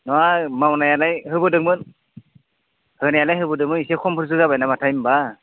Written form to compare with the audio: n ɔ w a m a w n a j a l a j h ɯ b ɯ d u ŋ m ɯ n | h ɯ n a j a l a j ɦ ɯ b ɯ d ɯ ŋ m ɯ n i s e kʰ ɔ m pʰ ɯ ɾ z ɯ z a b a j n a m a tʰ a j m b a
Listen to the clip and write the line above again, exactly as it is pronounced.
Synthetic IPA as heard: n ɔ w a m a w n a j a l a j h ɯ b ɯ d ɯ ŋ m ɯ n | h ɯ n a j a l a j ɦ ɯ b ɯ d ɯ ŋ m ɯ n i s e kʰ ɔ m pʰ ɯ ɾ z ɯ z a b a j n a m a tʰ a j m b a